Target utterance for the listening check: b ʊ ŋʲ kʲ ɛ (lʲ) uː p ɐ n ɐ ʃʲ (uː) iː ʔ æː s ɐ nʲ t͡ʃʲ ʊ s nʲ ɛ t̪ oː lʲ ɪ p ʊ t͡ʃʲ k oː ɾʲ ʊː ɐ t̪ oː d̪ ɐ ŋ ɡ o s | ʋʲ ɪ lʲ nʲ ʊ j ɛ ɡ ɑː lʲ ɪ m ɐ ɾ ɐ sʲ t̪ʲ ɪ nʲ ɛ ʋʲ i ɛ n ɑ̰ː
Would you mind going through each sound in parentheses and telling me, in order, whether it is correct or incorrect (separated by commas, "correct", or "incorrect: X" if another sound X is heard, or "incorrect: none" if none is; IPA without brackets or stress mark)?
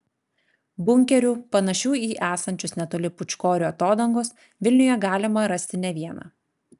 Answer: incorrect: ɾʲ, correct